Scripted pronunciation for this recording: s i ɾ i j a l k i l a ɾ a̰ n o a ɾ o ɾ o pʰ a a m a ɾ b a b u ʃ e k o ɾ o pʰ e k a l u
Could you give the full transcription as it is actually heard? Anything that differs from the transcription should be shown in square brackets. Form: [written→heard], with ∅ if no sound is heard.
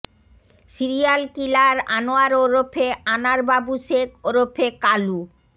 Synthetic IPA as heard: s i ɾ i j a l k i l a ɾ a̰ n o a ɾ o ɾ o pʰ [a→e] a [m→n] a ɾ b a b u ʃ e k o ɾ o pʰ e k a l u